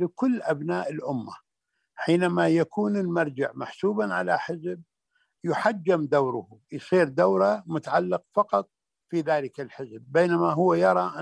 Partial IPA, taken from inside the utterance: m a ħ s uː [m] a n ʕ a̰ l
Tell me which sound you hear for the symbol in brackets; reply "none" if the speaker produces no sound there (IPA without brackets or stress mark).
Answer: b